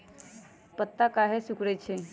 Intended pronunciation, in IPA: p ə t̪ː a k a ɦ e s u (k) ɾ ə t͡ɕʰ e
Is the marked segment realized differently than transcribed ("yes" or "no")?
no